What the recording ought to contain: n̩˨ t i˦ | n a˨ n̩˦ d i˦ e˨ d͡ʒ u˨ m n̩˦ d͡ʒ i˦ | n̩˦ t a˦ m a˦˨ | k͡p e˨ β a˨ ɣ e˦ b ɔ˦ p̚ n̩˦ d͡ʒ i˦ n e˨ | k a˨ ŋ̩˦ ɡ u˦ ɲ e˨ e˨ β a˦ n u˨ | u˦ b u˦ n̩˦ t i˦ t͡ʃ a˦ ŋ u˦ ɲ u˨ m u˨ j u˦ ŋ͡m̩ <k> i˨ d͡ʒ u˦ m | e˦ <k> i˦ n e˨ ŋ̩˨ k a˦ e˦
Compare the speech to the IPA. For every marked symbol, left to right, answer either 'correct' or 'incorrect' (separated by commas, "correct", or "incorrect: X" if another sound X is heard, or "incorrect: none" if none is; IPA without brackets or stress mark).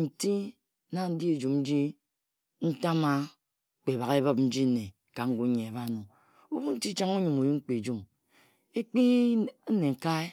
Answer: incorrect: k͡p, incorrect: k͡p